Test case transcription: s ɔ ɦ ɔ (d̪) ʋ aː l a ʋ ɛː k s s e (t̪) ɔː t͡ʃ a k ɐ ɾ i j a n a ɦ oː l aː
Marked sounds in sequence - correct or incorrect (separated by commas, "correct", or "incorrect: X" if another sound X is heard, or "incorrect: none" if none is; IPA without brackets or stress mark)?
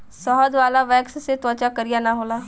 correct, correct